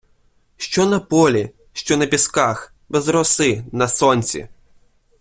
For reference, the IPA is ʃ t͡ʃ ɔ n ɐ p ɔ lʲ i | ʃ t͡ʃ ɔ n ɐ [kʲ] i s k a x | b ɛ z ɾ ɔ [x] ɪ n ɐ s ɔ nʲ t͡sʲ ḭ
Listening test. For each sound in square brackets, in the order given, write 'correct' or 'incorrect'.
incorrect, incorrect

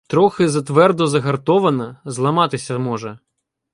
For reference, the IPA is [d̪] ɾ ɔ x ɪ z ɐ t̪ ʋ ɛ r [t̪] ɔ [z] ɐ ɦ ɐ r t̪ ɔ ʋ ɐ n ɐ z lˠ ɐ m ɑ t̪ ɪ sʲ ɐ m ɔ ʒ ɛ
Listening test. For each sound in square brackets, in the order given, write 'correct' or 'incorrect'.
incorrect, incorrect, correct

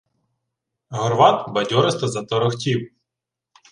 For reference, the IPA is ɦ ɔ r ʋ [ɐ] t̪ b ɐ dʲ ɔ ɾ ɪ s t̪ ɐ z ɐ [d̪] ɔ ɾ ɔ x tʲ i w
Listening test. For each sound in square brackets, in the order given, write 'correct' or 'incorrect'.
incorrect, incorrect

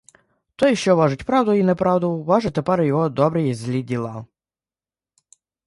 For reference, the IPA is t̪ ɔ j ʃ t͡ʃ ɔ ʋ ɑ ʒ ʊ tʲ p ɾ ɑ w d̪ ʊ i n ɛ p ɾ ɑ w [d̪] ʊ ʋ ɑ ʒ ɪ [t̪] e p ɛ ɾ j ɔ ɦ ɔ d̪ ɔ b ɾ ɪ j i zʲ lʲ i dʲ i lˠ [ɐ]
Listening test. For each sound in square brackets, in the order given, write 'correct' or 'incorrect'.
correct, correct, incorrect

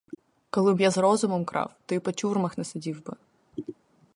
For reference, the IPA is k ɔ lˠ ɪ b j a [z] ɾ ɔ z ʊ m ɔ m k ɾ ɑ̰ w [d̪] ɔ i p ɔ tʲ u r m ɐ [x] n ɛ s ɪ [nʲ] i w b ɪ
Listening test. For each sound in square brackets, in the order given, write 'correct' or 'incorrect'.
correct, incorrect, correct, incorrect

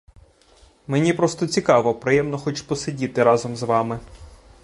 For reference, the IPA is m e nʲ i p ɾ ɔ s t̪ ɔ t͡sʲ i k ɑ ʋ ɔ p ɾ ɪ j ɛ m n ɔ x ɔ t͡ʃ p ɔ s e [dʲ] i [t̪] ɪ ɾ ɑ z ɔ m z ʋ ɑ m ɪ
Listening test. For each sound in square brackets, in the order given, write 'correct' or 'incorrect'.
correct, correct

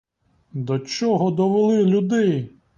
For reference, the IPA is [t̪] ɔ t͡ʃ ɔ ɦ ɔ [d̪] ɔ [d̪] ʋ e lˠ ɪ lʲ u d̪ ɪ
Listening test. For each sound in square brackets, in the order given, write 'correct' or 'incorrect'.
incorrect, correct, incorrect

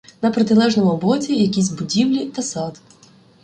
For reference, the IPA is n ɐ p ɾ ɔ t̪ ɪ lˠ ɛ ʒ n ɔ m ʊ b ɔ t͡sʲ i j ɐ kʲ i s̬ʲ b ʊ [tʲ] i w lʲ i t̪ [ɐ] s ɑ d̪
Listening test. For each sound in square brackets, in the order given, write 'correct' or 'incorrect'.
incorrect, correct

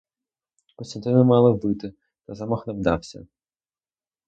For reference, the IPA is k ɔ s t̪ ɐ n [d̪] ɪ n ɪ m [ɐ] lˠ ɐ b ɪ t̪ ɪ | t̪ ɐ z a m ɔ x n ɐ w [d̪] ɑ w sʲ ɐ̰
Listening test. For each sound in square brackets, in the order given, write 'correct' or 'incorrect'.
incorrect, incorrect, correct

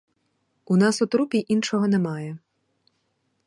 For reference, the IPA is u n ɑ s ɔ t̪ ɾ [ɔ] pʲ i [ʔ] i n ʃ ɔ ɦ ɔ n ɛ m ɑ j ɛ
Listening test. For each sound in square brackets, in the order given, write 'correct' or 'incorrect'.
incorrect, correct

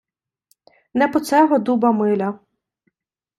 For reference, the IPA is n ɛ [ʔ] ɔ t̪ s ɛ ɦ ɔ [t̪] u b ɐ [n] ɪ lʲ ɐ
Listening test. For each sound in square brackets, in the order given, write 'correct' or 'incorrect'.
incorrect, incorrect, incorrect

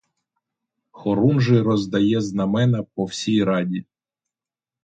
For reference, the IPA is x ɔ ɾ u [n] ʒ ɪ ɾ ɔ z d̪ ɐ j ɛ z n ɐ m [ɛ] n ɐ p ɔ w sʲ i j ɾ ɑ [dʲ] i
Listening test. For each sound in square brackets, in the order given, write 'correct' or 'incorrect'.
correct, correct, correct

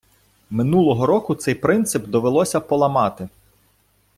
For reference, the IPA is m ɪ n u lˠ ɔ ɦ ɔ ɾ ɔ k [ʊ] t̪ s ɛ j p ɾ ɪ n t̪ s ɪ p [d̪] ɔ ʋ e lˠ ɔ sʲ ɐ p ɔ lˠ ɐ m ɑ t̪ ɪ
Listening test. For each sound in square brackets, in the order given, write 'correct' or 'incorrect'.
correct, correct

